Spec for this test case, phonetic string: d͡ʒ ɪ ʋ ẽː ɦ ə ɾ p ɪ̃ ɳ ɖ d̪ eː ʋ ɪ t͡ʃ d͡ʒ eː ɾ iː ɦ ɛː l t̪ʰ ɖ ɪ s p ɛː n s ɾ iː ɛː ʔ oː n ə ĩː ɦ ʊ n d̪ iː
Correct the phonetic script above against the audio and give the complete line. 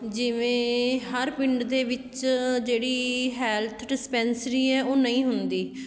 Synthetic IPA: d͡ʒ ɪ ʋ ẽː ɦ ə ɾ p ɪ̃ ɳ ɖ d̪ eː ʋ ɪ t͡ʃ d͡ʒ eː ɽ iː ɦ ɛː l t̪ʰ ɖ ɪ s p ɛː n s ɾ iː ɛː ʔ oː n ə ĩː ɦ ʊ n d̪ iː